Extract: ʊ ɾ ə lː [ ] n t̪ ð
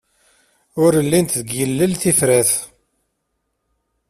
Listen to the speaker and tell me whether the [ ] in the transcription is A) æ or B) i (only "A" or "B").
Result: B